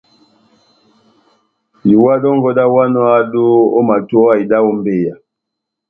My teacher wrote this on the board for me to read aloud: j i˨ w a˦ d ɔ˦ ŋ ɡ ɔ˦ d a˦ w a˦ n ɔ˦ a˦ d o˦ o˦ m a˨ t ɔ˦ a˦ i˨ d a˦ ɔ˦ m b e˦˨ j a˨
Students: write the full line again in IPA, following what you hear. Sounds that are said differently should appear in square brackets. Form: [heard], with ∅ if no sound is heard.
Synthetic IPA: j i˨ w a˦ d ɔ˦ ŋ ɡ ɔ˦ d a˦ w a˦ n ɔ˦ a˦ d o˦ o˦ m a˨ t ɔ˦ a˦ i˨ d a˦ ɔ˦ m b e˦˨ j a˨

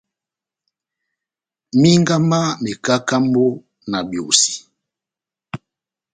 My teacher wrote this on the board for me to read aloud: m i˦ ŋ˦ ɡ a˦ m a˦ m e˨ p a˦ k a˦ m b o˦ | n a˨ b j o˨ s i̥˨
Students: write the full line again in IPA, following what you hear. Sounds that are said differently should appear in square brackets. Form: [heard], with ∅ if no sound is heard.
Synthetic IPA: m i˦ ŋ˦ ɡ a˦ m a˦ m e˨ [k] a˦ k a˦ m b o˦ | n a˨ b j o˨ s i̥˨

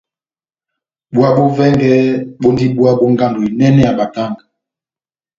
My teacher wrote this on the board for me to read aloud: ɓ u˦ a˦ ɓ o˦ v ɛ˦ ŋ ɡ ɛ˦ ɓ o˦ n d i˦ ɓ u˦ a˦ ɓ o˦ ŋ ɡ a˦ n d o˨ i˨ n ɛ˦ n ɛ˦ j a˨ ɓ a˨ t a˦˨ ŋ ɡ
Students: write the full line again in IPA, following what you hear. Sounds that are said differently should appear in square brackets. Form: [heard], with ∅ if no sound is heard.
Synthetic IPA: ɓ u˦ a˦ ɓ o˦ v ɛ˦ ŋ ɡ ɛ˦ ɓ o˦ n d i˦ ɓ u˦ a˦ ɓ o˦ ŋ ɡ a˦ n d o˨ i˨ n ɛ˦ n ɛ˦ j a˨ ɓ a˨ t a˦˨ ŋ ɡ

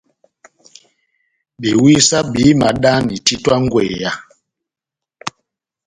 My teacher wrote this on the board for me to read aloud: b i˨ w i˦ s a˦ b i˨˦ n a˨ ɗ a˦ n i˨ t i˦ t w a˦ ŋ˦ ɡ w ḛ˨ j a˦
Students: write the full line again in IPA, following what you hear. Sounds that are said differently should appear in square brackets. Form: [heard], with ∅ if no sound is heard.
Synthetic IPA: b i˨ w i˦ s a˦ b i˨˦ [m] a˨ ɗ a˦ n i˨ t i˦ t w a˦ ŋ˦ ɡ w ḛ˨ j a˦

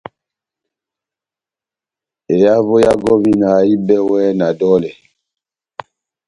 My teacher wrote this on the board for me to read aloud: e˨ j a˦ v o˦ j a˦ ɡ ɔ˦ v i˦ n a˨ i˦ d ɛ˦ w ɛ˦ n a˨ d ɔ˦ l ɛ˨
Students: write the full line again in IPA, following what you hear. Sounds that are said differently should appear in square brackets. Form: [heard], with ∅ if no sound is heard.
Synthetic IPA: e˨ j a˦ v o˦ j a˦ ɡ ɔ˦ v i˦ n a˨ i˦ [b] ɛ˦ w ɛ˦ n a˨ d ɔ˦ l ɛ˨

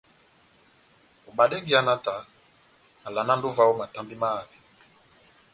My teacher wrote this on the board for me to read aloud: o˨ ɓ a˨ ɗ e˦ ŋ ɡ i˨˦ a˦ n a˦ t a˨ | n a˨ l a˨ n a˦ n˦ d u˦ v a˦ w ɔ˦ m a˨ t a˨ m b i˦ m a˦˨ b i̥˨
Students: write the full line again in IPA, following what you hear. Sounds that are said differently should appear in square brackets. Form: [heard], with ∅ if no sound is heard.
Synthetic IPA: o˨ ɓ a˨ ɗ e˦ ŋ ɡ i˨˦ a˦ n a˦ t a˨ | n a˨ l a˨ n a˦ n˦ d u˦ v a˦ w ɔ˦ m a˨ t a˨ m b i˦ m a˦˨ [v] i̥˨

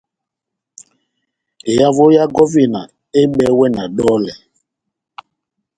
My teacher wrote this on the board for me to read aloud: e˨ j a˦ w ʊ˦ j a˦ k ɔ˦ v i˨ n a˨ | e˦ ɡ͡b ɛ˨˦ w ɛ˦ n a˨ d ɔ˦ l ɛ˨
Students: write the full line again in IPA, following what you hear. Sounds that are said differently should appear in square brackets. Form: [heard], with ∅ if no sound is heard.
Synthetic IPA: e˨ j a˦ [v] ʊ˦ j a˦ [ɡ] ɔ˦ v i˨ n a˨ | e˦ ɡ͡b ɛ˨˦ w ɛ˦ n a˨ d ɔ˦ l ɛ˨

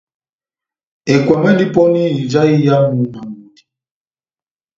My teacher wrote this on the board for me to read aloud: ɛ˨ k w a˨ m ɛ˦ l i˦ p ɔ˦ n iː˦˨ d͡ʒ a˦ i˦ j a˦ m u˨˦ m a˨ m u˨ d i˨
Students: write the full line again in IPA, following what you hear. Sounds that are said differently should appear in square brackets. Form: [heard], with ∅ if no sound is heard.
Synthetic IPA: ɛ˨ k w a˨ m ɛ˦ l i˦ p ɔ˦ n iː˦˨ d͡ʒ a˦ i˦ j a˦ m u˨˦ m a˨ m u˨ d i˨

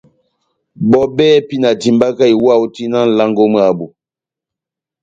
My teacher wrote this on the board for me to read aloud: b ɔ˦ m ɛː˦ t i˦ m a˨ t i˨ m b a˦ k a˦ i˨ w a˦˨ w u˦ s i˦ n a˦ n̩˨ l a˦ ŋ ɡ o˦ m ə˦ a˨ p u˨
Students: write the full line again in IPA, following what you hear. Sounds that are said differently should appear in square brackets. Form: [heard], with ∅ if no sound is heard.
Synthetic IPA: b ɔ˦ [b] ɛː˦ [p] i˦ [n] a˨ t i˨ m b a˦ k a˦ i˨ w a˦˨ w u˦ [t] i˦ n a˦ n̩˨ l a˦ ŋ ɡ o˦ m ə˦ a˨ [b] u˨

